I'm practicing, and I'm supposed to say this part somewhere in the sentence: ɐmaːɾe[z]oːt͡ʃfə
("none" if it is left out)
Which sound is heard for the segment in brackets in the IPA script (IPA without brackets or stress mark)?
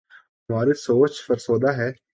s